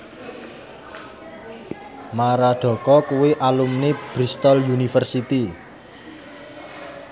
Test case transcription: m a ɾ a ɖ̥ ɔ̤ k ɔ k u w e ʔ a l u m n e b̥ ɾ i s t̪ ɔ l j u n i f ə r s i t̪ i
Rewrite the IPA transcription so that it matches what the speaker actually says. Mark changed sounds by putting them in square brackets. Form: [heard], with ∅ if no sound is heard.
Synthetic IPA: m a ɾ a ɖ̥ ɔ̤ k ɔ k u w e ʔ a l u m n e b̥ ɾ i s t̪ ɔ l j u n i f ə r s i t̪ i